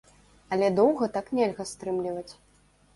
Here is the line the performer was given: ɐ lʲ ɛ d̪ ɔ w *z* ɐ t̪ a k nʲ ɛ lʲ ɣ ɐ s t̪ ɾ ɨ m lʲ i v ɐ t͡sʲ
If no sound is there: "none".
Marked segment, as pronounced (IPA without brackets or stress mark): ɣ